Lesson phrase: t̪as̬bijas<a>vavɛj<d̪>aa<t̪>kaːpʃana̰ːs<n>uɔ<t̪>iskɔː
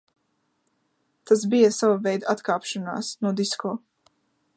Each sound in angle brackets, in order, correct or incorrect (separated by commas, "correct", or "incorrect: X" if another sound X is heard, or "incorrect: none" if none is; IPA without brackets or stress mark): correct, correct, correct, correct, incorrect: d̪